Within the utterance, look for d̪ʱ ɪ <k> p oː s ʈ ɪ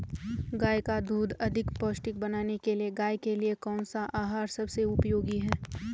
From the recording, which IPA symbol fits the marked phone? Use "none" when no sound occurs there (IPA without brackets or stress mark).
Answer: k